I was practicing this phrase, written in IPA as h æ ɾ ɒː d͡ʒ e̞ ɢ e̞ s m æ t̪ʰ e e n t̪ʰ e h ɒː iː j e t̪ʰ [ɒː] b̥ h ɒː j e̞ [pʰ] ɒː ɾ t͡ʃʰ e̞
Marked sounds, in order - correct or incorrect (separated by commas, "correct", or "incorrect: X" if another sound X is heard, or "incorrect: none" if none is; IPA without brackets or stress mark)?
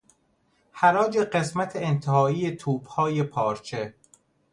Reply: incorrect: uː, correct